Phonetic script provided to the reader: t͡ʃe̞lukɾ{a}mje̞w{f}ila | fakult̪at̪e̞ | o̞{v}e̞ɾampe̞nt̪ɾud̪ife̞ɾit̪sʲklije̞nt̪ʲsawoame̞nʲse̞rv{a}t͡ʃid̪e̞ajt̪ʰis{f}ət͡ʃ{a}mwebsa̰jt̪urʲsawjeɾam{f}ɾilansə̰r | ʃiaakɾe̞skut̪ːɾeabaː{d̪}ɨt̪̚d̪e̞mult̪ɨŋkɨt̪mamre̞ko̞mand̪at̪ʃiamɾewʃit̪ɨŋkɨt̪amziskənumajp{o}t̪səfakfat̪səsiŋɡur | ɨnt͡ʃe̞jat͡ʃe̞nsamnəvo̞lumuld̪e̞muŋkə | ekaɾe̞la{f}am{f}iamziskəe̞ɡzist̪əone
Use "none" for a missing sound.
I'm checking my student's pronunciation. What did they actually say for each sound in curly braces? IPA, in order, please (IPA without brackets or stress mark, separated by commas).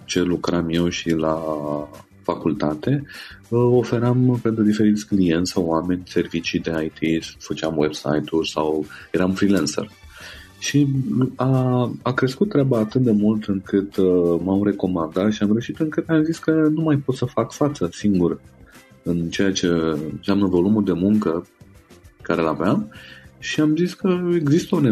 a, ʃ, f, i, f, a, f, t̪, o, v, ʃ